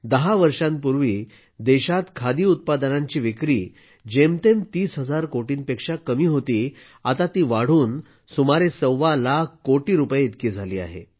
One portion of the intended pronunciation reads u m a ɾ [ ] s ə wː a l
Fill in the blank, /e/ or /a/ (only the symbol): e